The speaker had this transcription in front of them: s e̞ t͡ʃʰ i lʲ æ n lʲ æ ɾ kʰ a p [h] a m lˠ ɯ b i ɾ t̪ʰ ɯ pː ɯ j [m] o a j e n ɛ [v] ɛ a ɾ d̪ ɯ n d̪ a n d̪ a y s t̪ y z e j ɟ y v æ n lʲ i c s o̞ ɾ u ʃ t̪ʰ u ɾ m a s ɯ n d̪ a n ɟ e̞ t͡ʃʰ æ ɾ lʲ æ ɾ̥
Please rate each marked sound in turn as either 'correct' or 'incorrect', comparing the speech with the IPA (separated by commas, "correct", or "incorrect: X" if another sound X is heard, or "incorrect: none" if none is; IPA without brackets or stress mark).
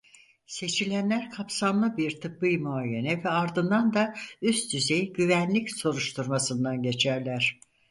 incorrect: s, correct, correct